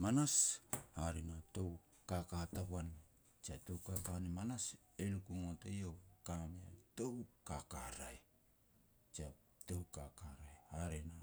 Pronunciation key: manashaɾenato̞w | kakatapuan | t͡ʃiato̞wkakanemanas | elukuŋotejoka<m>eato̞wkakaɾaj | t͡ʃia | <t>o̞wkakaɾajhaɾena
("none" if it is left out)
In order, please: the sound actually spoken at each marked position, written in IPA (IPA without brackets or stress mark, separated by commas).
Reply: m, t